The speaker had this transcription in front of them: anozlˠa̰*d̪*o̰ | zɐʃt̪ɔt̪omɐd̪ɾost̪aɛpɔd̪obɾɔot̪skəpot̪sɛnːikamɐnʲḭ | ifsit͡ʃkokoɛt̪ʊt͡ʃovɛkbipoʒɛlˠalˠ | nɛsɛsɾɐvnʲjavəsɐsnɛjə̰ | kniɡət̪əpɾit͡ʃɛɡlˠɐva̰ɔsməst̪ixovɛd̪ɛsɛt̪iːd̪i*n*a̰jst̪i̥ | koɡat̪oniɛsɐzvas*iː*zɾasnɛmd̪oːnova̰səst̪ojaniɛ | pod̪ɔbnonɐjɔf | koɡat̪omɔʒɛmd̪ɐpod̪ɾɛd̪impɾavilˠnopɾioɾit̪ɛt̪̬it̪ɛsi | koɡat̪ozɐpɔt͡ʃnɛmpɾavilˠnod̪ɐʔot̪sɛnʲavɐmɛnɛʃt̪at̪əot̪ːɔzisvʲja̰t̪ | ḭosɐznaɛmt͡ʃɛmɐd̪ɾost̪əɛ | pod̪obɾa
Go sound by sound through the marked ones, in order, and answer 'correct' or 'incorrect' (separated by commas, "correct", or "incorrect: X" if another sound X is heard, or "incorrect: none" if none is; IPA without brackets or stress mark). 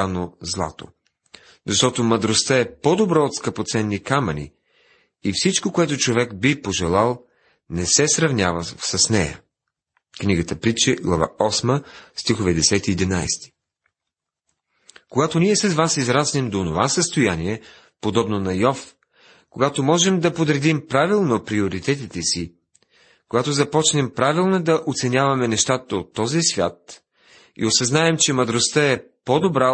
incorrect: t̪, correct, incorrect: i